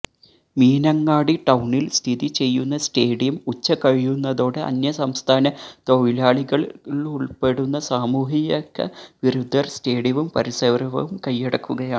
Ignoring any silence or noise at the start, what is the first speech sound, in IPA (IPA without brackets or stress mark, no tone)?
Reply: m